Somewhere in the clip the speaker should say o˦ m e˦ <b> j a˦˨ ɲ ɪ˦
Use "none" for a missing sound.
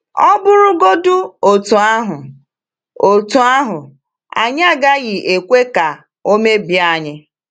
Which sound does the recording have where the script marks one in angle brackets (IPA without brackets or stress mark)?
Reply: b